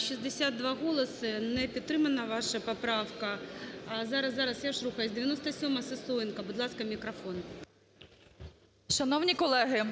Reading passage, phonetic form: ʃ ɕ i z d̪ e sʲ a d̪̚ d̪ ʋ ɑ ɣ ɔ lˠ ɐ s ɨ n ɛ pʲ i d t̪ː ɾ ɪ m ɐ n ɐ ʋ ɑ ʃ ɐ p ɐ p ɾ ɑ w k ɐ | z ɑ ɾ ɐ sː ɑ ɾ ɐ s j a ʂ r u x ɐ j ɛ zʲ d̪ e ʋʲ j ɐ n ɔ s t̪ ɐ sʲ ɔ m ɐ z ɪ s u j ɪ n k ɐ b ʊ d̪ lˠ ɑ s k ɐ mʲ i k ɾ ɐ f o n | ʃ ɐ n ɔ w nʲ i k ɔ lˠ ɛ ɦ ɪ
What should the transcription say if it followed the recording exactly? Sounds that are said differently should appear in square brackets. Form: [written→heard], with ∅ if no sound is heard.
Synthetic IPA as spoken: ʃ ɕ i z d̪ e sʲ a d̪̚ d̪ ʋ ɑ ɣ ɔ lˠ ɐ s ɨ n ɛ pʲ i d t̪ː ɾ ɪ m ɐ n ɐ ʋ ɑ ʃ ɐ p ɐ p ɾ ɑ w k ɐ | z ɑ ɾ ɐ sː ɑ ɾ ɐ s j a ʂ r u x ɐ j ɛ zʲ d̪ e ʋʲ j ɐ n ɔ s t̪ ɐ sʲ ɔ m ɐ [z→s] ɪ s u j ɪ n k ɐ b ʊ d̪ lˠ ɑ s k ɐ mʲ i k ɾ ɐ f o n | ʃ ɐ n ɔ w nʲ i k ɔ lˠ ɛ ɦ ɪ